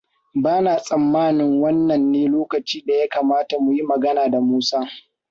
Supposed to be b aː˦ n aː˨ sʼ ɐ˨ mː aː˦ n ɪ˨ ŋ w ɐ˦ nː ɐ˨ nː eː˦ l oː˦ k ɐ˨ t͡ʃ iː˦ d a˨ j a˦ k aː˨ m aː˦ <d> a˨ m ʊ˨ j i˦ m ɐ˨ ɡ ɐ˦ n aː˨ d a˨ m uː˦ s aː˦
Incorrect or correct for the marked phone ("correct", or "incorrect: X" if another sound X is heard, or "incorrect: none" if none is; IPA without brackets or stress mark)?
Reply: incorrect: t